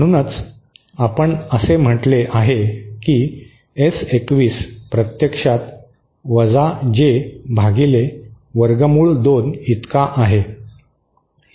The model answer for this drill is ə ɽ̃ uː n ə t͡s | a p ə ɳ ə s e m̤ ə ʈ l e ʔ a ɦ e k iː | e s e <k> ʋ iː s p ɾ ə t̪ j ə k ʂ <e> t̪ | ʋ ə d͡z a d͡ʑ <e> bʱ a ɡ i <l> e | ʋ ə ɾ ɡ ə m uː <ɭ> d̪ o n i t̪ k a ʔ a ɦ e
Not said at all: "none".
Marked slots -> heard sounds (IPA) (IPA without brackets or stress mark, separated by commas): k, a, e, l, ɭ